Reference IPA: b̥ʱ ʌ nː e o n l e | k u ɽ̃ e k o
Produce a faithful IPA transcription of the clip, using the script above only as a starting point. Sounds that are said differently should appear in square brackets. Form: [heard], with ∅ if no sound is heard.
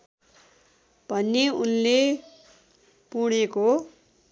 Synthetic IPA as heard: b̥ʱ ʌ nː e [u] n l e | [p] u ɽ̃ e k o

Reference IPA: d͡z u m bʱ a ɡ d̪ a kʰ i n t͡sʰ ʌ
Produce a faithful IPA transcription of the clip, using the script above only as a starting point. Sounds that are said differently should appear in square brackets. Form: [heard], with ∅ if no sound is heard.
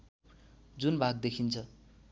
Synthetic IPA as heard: d͡z u [n] bʱ a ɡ d̪ [e] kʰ i n t͡sʰ ʌ

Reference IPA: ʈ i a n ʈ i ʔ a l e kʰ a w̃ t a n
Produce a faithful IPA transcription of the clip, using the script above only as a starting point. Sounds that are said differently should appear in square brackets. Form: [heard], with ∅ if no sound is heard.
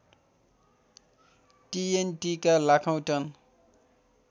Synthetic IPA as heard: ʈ i [e] n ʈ i [k] a l [a] kʰ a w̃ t [ʌ] n

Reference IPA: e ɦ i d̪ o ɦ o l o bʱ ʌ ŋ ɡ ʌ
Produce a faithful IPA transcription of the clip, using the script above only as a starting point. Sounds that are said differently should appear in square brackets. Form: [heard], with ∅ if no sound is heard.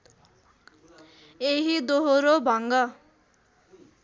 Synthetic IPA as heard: e ɦ i d̪ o ɦ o [ɾ] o bʱ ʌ ŋ ɡ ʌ

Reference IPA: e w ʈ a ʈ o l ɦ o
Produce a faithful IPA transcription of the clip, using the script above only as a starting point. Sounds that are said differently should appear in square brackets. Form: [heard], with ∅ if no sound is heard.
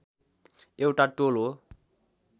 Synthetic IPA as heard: e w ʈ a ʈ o l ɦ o

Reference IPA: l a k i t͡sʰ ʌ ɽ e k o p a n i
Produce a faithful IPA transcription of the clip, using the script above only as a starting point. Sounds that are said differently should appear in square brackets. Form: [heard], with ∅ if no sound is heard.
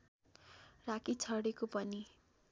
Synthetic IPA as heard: [r] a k i t͡sʰ ʌ ɽ e k o p [ʌ] n i

